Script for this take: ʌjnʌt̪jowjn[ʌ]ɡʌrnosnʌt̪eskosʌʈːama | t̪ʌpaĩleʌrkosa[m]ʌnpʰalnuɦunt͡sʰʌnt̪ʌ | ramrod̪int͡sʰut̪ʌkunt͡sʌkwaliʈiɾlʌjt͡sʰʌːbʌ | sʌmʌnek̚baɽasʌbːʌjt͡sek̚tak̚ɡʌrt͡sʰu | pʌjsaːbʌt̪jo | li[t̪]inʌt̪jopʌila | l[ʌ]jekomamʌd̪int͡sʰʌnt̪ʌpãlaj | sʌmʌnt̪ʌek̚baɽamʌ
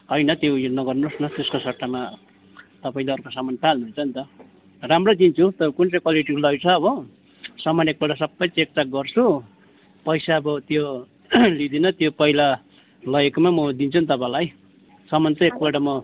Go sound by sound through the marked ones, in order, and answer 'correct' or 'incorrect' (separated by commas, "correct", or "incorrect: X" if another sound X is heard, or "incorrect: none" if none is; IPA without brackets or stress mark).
correct, correct, incorrect: d̪, correct